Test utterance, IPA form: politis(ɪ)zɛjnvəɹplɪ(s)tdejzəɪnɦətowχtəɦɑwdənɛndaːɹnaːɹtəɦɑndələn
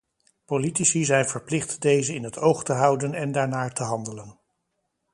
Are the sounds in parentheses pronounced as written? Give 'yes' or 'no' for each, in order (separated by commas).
no, no